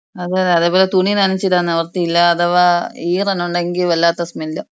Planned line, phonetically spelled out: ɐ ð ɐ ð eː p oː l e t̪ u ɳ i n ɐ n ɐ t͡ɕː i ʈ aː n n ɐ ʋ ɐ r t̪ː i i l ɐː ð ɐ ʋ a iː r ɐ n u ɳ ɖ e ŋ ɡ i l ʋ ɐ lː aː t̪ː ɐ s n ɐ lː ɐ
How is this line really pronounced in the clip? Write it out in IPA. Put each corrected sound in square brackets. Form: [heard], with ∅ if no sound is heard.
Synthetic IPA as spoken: ɐ ð ɐ ð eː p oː l e t̪ u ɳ i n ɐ n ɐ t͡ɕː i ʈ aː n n ɐ ʋ ɐ r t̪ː i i [lː] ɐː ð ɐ ʋ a iː r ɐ n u ɳ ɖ e ŋ ɡ i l ʋ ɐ lː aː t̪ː ɐ s [m] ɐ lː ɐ